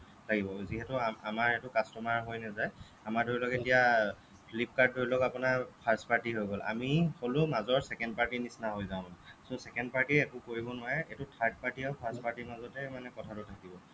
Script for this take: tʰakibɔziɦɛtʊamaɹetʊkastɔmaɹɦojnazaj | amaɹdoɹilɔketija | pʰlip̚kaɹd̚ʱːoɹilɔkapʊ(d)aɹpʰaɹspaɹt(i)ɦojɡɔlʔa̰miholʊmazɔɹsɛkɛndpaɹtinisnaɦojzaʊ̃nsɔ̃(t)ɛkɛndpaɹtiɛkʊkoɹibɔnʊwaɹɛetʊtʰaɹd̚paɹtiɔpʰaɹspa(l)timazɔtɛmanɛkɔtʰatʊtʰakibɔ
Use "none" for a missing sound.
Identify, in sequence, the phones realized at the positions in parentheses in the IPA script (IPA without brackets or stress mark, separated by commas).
n, i, s, ɹ